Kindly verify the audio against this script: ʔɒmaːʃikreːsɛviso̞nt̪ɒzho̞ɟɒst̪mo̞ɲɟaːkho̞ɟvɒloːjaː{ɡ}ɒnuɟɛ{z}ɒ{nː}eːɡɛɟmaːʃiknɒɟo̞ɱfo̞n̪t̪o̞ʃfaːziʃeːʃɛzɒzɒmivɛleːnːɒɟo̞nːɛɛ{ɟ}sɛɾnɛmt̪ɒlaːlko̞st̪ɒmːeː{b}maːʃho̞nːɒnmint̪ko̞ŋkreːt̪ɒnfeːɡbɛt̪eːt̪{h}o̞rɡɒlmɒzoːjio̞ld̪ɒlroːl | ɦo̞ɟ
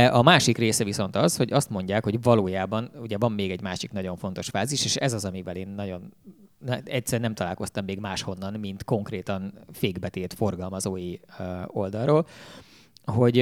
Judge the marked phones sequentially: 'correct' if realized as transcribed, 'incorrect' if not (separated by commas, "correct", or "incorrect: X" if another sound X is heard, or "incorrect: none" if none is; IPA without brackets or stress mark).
incorrect: b, incorrect: v, incorrect: mː, incorrect: c, incorrect: ɡ, incorrect: f